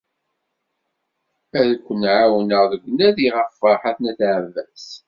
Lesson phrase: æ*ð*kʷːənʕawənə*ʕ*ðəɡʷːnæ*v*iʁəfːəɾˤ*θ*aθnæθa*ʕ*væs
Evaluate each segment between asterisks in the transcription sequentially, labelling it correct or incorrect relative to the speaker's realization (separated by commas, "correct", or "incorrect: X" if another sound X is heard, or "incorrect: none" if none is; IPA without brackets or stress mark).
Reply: correct, incorrect: ʁ, incorrect: ð, incorrect: ħ, correct